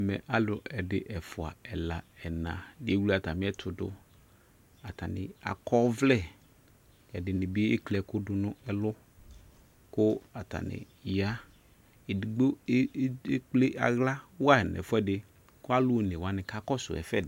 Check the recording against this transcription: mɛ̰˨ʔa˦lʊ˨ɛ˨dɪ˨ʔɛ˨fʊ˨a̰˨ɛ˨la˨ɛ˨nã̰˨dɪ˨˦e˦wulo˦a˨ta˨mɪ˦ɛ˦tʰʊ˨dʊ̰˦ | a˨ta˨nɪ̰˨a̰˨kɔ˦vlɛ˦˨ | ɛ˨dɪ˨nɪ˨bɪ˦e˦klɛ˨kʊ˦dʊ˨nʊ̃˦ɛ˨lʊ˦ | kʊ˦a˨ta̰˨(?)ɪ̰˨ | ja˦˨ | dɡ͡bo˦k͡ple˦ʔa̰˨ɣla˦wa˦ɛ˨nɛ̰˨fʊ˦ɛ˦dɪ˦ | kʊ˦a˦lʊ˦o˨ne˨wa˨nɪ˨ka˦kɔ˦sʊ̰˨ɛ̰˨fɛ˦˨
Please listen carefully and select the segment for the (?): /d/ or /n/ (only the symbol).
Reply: n